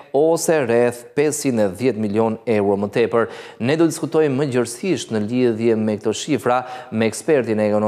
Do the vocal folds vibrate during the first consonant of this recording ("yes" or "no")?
no